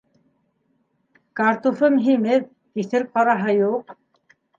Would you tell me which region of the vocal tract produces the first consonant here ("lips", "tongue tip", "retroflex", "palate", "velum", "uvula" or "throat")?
velum